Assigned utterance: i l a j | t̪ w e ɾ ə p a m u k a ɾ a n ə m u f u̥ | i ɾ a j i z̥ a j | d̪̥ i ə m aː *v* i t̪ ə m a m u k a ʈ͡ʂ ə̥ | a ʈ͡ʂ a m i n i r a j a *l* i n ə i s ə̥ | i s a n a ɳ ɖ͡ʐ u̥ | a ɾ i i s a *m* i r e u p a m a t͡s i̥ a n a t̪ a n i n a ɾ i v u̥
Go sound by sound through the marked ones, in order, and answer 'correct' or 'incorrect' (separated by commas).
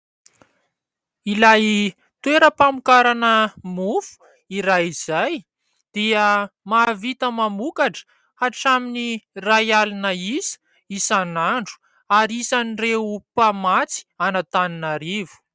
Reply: correct, correct, incorrect